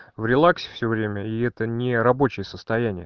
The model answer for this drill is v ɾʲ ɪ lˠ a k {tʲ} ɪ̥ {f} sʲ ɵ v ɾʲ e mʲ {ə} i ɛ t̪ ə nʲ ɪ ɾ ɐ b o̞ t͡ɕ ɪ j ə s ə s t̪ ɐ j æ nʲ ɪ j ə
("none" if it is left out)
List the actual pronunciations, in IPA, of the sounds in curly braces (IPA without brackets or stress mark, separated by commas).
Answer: sʲ, f, ə